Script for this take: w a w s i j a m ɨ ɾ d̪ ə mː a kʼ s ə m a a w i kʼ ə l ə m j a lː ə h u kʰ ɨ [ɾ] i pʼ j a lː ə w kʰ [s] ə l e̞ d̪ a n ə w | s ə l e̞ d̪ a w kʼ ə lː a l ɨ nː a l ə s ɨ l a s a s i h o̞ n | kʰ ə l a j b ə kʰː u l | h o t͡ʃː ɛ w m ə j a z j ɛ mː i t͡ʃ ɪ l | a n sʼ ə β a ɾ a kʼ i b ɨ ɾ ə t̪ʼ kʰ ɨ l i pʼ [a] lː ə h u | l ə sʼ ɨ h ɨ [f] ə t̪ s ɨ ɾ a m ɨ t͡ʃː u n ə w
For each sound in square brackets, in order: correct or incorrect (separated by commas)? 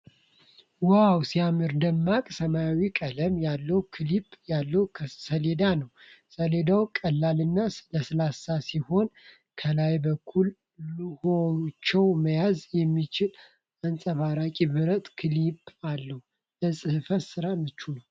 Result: incorrect, correct, correct, correct